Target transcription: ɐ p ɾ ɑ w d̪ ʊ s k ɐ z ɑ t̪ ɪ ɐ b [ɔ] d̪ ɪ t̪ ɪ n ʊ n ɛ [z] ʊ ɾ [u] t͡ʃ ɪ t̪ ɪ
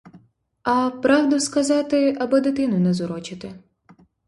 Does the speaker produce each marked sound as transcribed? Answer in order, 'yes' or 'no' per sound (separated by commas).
yes, yes, no